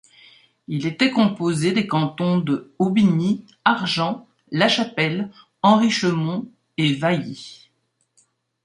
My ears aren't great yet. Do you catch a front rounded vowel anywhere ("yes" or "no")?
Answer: no